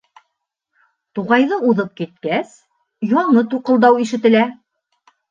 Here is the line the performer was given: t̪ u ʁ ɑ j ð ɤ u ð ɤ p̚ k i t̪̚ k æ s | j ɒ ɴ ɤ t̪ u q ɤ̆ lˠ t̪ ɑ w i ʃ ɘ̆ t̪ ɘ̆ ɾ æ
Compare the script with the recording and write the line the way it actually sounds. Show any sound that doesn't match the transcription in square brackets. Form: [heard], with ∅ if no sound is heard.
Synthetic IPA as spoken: t̪ u ʁ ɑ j ð ɤ u ð ɤ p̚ k i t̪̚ k æ s | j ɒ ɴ ɤ t̪ u q ɤ̆ lˠ [d̪] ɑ w i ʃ ɘ̆ t̪ ɘ̆ [l] æ

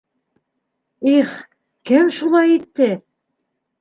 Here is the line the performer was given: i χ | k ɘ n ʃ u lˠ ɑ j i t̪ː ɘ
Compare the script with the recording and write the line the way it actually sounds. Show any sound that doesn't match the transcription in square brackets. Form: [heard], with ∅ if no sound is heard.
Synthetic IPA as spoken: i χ | k ɘ [m] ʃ u lˠ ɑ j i t̪ː ɘ

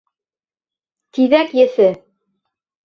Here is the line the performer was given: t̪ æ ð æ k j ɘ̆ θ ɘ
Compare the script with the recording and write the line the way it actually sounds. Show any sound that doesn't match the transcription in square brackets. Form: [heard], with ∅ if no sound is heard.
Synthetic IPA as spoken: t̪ [i] ð æ k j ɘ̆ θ ɘ

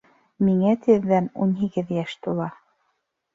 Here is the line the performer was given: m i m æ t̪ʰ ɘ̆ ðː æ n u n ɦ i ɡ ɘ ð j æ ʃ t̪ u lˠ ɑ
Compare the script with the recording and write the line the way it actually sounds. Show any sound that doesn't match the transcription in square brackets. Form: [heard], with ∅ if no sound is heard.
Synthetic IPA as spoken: m i [ŋ] æ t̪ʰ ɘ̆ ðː æ n u n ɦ i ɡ ɘ ð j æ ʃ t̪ u lˠ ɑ

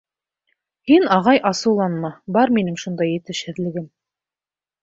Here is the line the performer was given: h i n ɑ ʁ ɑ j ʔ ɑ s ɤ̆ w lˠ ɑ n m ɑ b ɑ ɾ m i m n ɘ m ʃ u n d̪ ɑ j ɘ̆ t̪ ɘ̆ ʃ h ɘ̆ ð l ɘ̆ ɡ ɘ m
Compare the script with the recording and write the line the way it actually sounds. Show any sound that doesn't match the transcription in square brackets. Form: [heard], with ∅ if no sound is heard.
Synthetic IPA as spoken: h i n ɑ ʁ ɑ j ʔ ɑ s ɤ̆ w lˠ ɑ n m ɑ b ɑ ɾ m i [∅] n ɘ [ŋ] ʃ u n d̪ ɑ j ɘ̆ t̪ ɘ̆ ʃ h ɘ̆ ð l ɘ̆ ɡ ɘ m

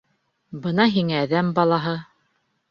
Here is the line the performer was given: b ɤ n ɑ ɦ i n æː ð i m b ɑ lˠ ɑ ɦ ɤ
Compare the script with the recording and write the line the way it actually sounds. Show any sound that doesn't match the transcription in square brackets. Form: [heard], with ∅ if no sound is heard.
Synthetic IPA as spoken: b ɤ n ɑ ɦ i [ŋ] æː ð [æ] m b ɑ lˠ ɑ ɦ ɤ

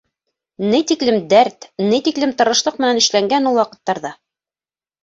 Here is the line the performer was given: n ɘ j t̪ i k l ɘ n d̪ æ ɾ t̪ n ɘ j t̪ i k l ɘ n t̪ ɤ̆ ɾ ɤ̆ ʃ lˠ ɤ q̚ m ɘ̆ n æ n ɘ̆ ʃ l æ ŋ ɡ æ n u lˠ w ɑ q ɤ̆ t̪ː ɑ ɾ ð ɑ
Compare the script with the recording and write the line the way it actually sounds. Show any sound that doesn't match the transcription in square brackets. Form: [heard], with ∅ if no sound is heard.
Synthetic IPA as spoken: n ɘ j t̪ i k l ɘ [m] d̪ æ ɾ t̪ n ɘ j t̪ i k l ɘ [m] t̪ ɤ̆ ɾ ɤ̆ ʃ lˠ ɤ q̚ m ɘ̆ n æ n ɘ̆ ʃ l æ ŋ ɡ æ n u lˠ w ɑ q ɤ̆ t̪ː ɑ ɾ ð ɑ

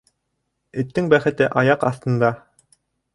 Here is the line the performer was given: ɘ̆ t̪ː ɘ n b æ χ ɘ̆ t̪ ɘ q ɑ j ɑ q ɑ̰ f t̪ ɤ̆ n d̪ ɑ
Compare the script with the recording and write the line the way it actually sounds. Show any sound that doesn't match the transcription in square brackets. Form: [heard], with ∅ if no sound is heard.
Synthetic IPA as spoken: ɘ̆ t̪ː ɘ [ŋ] b æ χ ɘ̆ t̪ ɘ [ʔ] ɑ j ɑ q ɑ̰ [θ] t̪ ɤ̆ n d̪ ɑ

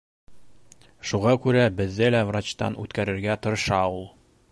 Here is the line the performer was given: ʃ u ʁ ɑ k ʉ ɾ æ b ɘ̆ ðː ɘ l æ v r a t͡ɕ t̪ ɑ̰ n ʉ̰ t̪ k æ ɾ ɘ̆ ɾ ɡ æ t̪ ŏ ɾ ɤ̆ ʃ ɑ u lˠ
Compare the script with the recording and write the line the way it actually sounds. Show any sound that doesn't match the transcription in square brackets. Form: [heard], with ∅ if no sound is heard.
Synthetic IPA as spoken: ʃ u ʁ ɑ k ʉ ɾ æ b ɘ̆ ðː ɘ l æ v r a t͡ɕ t̪ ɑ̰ n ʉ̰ t̪ k æ ɾ ɘ̆ ɾ ɡ æ t̪ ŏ ɾ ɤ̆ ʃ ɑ u lˠ

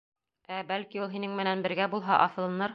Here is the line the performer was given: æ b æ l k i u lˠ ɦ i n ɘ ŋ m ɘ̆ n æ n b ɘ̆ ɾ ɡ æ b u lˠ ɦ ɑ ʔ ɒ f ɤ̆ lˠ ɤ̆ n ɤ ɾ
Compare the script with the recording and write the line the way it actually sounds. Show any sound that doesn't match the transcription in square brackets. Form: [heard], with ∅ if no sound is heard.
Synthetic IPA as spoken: æ b æ l k i u lˠ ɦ i n ɘ ŋ m ɘ̆ n æ n b ɘ̆ ɾ ɡ æ b u lˠ ɦ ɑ ʔ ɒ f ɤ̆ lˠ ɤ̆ n ɤ ɾ

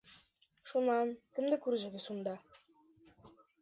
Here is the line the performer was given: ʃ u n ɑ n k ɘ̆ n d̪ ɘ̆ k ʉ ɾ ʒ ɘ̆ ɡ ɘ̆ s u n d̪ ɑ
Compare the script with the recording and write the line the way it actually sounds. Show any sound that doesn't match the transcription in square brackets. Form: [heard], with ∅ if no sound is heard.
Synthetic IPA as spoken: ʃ u n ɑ n k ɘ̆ [m] d̪ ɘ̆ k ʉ ɾ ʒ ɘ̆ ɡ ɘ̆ s u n d̪ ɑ

